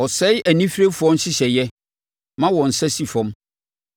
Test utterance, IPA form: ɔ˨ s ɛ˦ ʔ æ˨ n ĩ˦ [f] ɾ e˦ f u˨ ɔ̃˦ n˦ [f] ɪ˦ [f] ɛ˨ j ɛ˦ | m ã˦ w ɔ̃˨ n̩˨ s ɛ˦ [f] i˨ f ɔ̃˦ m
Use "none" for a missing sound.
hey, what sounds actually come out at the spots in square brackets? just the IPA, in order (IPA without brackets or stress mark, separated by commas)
f, ɕ, ɕ, s